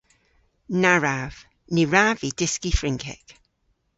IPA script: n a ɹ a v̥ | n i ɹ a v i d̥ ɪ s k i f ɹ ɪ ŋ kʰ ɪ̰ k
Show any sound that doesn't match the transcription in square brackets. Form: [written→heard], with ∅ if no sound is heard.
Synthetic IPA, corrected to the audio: n a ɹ a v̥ | n i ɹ a v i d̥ ɪ s k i f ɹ ɪ ŋ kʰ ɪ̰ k